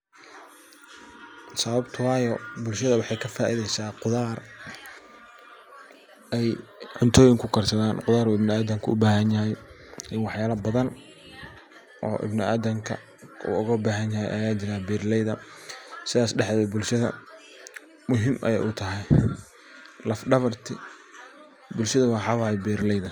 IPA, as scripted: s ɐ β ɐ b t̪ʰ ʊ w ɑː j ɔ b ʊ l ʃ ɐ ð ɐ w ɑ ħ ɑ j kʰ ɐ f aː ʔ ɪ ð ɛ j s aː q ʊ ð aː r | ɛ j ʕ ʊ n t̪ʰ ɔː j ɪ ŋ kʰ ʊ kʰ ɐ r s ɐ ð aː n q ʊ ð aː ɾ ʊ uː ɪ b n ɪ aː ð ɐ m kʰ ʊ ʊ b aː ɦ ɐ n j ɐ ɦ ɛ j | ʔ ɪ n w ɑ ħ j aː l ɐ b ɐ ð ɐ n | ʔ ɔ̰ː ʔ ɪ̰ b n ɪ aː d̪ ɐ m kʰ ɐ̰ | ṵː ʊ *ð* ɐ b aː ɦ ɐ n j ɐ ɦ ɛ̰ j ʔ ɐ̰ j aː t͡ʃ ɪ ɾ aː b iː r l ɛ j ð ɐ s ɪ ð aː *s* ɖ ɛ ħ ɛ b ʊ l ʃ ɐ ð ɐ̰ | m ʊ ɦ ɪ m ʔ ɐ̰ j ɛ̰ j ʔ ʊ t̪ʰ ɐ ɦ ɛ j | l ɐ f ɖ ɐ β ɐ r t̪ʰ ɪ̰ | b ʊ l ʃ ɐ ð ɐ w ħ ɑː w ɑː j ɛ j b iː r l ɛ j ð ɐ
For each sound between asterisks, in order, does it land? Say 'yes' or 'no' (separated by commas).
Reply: no, yes